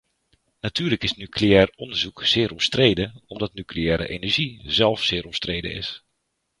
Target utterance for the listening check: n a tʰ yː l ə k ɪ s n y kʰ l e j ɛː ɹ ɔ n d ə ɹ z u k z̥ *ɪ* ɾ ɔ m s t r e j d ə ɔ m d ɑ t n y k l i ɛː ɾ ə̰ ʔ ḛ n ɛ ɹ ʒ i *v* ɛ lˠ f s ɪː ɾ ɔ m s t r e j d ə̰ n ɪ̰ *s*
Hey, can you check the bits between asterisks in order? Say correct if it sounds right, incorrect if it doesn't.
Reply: incorrect: ɪː, incorrect: z, correct

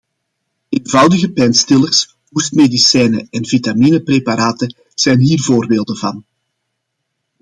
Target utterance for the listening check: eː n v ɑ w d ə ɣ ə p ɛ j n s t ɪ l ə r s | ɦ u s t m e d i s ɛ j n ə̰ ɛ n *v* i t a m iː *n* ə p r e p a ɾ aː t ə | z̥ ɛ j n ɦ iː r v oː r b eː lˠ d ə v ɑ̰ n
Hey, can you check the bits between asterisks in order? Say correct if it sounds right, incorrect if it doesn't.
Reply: correct, correct

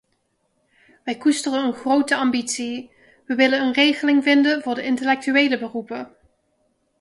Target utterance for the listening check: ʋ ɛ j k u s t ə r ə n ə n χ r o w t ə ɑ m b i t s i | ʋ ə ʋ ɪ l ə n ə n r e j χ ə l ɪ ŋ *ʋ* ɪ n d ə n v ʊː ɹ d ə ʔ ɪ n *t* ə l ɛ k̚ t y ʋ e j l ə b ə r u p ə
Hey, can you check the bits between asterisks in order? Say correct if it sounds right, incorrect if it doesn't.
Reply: incorrect: v, correct

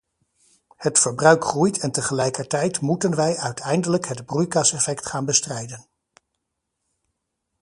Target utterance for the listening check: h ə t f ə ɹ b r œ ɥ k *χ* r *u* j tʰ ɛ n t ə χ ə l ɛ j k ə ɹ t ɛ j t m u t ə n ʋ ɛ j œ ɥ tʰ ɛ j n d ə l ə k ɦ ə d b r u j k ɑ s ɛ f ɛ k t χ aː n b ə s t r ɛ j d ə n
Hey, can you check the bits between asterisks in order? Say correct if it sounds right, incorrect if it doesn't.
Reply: correct, correct

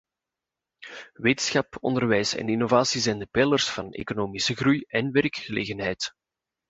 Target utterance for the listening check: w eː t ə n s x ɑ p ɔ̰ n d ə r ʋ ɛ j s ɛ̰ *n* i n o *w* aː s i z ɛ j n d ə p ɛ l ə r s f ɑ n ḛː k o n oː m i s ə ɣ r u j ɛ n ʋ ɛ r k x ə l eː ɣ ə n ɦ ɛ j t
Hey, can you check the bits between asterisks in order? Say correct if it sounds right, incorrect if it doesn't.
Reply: correct, incorrect: v

